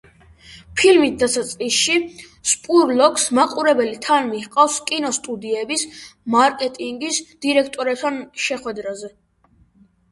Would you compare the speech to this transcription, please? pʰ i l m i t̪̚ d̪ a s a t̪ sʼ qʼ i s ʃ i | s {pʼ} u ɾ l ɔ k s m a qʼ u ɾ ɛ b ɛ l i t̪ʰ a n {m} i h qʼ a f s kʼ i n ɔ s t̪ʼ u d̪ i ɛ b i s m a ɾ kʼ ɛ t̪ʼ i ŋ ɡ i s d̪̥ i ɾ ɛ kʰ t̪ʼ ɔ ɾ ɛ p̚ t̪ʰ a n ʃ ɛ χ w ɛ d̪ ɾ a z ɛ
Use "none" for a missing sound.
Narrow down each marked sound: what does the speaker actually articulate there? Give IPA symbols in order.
pʼ, m

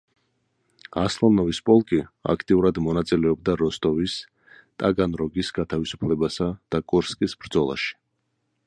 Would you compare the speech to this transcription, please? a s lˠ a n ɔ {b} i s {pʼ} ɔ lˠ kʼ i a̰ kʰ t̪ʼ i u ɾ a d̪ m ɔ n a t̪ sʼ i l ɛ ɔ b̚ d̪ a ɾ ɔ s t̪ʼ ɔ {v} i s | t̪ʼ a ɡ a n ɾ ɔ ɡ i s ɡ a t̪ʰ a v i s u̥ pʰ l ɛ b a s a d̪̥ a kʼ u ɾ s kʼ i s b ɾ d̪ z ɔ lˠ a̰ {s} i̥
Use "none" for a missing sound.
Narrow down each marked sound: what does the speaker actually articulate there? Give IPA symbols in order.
v, pʼ, v, ʃ

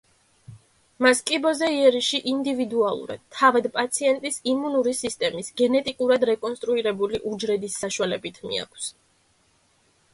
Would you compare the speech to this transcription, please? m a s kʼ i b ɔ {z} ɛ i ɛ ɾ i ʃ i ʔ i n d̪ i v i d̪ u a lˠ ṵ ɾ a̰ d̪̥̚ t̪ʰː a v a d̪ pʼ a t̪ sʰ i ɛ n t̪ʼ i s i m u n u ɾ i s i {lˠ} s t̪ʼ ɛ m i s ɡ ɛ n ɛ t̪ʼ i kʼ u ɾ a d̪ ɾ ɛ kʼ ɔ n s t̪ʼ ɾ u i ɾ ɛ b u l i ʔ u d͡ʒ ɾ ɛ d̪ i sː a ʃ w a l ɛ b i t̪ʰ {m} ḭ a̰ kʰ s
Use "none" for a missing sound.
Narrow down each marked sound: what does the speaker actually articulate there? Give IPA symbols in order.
z, none, m

